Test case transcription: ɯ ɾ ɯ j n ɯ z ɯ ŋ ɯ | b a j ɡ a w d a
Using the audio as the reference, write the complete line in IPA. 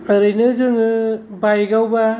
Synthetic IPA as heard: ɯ ɾ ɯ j n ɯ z ɯ ŋ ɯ | b a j ɡ a w b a